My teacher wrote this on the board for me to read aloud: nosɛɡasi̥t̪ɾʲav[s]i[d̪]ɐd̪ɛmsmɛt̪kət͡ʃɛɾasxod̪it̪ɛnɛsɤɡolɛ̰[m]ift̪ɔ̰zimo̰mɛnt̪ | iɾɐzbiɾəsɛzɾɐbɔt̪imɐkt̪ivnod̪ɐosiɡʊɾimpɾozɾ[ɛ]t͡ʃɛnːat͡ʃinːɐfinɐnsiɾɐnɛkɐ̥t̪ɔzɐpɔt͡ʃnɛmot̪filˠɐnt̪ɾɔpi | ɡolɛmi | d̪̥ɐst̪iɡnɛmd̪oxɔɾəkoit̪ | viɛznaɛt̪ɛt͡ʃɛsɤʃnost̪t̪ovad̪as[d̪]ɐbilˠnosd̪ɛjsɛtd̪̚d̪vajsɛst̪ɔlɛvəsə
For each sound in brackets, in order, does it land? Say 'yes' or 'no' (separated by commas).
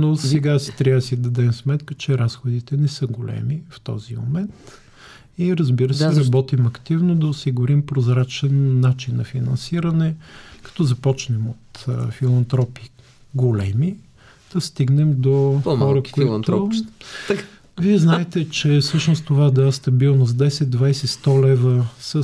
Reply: yes, yes, yes, no, no